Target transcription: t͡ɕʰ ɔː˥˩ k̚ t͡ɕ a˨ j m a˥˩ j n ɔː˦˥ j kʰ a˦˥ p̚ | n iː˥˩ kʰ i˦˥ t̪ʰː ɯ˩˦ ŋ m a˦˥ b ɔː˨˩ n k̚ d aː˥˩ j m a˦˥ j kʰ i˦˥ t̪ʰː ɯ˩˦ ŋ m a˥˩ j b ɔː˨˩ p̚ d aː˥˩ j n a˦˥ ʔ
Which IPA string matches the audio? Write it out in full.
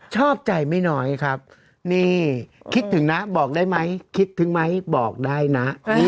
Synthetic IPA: t͡ɕʰ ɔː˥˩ p̚ t͡ɕ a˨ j m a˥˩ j n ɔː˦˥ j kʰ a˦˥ p̚ | n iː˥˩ kʰ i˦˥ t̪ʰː ɯ˩˦ ŋ n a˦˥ b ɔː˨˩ k̚ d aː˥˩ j m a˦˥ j kʰ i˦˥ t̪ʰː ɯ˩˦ ŋ m a˦˥ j b ɔː˨˩ k̚ d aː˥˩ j n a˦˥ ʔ